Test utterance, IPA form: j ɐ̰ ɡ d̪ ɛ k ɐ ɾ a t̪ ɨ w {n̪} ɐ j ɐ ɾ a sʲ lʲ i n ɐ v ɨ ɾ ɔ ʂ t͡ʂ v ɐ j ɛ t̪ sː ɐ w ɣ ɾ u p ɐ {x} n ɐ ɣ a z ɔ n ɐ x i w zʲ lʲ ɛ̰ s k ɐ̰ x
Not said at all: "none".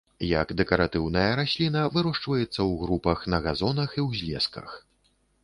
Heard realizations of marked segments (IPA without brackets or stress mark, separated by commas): n̪, x